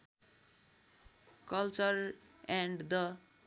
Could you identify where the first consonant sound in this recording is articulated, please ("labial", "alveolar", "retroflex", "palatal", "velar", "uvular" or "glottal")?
velar